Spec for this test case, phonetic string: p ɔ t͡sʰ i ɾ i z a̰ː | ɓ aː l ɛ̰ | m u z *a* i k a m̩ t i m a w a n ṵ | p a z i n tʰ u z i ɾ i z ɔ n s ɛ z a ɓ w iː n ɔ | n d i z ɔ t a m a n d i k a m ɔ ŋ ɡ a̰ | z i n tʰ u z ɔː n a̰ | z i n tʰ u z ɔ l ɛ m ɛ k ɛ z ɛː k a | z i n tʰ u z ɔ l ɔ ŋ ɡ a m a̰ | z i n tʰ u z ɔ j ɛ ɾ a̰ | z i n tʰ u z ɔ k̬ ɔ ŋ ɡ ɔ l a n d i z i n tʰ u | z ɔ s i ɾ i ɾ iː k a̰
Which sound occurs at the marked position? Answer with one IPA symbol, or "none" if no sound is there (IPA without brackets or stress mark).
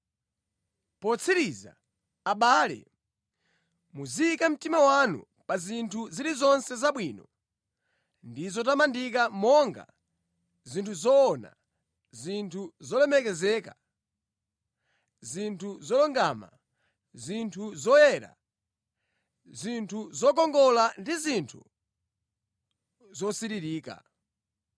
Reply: i